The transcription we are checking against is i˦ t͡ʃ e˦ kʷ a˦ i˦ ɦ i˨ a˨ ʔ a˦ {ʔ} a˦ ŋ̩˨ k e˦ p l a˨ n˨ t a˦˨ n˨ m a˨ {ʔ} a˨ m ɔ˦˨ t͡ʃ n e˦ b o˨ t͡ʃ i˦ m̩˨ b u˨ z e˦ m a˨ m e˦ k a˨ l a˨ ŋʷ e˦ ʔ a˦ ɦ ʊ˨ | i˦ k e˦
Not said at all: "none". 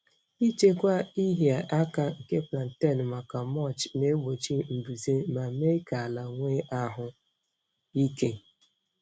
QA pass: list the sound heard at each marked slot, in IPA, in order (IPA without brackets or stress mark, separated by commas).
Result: k, k